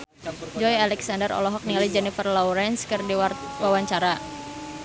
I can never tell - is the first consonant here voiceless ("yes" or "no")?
no